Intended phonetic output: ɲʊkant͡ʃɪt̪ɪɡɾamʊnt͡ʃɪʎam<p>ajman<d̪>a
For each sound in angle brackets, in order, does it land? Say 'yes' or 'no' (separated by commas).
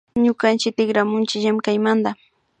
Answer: no, yes